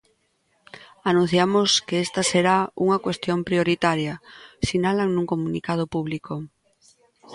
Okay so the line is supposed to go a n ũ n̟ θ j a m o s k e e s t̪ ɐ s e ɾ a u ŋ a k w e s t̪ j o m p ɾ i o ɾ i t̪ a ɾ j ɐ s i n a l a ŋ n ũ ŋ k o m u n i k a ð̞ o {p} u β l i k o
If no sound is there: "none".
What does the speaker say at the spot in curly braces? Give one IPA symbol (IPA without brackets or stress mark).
p